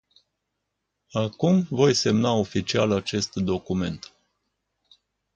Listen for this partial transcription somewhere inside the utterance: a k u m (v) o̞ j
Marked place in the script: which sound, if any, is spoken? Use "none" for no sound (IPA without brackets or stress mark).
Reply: v